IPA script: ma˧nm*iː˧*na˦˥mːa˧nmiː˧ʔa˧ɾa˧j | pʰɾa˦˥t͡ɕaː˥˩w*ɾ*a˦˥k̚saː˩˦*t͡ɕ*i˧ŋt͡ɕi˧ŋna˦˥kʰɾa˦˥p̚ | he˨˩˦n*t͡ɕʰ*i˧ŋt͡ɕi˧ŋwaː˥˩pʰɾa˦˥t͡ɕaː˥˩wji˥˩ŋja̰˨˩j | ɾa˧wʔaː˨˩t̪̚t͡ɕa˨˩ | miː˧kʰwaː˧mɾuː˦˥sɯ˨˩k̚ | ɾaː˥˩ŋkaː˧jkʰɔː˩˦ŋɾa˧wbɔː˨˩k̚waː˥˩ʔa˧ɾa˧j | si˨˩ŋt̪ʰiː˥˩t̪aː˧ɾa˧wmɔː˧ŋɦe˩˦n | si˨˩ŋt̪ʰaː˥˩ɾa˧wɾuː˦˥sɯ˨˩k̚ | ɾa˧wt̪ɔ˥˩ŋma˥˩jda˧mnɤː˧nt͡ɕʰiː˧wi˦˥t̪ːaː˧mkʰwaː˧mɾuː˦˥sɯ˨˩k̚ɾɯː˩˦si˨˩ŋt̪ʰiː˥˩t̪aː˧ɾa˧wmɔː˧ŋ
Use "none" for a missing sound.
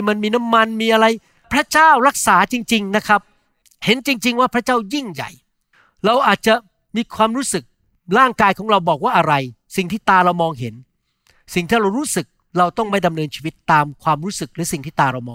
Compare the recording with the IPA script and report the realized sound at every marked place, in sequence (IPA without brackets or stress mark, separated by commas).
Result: iː˧, ɾ, t͡ɕ, t͡ɕ